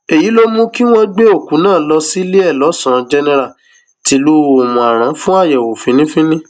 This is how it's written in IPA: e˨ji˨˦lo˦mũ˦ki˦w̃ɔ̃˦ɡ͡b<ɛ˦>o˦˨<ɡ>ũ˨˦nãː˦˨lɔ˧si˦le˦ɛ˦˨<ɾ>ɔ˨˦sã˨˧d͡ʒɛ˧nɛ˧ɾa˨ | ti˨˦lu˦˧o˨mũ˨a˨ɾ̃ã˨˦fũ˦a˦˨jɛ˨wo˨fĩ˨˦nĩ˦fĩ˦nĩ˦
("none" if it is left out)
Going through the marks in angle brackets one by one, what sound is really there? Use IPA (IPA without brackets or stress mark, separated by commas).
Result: e˦, k, l